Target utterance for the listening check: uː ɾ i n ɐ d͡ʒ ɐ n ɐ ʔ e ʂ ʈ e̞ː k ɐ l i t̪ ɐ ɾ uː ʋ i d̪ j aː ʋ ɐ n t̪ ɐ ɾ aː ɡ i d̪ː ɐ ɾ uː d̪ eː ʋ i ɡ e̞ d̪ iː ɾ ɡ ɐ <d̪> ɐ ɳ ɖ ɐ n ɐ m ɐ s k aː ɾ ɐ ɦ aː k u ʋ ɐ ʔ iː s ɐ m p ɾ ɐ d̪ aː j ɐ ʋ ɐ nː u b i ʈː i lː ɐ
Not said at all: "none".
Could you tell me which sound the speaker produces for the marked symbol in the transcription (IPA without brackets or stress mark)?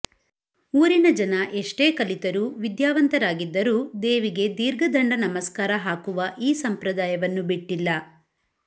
d̪